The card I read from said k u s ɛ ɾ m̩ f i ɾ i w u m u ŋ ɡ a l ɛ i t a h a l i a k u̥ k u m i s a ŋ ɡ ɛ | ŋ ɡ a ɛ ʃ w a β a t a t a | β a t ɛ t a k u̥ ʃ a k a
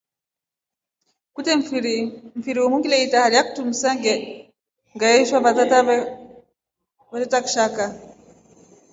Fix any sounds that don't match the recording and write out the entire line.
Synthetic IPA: k u t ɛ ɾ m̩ f i ɾ i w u m u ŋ ɡ i l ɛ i t a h a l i a k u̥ t u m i s a ŋ ɡ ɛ | ŋ ɡ a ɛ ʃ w a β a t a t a | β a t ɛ t a k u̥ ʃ a k a